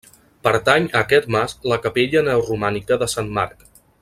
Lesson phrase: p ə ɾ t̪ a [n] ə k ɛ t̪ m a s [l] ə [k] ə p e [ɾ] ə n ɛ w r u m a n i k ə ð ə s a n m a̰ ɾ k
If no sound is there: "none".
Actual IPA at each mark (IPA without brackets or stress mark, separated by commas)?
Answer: ɲ, l, k, ʎ